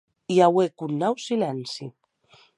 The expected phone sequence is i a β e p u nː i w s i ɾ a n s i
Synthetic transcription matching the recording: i a w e k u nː a w s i l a n s i